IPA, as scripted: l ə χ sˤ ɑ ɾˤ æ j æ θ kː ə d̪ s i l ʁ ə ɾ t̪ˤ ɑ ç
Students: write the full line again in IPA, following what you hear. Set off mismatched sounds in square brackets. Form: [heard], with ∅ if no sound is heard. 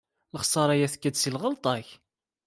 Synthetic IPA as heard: l ə χ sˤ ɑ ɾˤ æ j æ θ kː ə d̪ s i l ʁ ə [l] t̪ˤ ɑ ç

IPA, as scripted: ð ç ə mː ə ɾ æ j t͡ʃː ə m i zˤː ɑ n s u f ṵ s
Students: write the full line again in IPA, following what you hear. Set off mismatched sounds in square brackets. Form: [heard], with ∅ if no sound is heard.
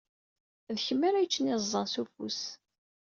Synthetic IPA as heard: ð ç ə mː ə ɾ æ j t͡ʃː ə [n] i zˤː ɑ n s u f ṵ s

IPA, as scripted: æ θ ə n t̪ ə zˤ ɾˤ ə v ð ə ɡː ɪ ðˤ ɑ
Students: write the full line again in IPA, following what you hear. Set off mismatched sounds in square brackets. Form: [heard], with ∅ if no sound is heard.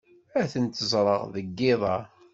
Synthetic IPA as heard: æ θ ə n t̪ ə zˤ ɾˤ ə [ʁ] ð ə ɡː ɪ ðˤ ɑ

